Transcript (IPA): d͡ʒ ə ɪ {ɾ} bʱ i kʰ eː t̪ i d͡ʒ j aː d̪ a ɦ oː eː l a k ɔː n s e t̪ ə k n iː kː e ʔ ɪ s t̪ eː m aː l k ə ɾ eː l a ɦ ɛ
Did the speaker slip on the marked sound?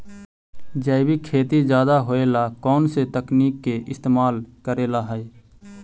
yes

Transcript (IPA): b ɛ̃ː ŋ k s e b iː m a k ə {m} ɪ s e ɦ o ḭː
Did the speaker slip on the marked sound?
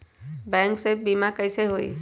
yes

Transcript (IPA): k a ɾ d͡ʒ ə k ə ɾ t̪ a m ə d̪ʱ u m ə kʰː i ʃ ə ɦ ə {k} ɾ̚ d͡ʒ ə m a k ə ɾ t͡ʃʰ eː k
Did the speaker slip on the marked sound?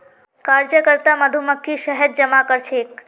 yes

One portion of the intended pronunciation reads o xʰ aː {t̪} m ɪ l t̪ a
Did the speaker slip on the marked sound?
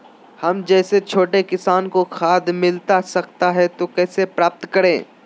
yes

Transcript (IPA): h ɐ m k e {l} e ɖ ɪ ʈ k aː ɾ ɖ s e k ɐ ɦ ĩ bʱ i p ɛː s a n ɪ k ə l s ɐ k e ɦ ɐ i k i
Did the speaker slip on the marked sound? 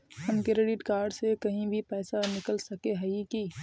yes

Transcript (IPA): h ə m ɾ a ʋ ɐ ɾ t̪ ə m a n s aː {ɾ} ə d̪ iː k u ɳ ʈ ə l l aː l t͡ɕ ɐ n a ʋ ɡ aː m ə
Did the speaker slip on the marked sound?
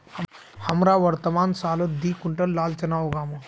yes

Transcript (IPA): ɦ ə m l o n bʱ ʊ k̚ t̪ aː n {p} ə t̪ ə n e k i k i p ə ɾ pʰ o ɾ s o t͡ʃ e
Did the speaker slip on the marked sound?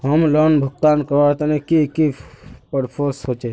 yes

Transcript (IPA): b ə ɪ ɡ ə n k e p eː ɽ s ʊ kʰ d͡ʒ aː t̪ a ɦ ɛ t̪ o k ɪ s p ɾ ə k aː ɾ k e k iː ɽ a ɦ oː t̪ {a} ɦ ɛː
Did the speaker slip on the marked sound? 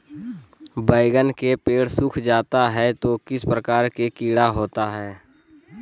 no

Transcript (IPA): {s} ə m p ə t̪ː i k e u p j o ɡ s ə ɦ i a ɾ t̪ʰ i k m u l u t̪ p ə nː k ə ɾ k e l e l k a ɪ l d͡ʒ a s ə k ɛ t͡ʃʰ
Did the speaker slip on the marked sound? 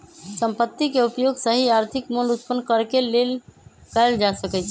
no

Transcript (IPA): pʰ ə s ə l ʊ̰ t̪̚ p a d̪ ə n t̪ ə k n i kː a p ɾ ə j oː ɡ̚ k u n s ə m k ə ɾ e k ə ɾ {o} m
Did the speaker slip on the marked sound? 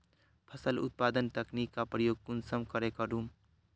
yes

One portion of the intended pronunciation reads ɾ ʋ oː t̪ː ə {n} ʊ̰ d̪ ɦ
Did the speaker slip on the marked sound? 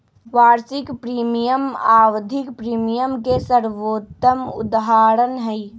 yes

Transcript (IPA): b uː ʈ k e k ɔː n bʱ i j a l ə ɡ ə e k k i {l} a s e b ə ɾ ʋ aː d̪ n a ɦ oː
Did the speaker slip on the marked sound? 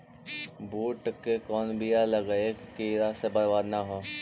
yes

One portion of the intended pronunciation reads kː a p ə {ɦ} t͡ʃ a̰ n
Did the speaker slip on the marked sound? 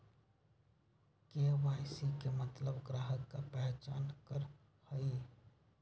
no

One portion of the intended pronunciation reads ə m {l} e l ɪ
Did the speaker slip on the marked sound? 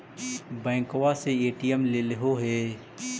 no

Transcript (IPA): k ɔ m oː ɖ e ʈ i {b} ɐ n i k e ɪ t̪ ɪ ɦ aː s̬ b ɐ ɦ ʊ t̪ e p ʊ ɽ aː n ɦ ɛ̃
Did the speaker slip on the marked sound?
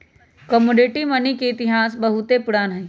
yes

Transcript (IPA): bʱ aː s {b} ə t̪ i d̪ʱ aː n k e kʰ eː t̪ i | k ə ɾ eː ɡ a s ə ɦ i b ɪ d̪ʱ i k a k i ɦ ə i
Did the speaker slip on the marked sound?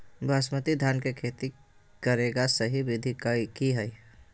yes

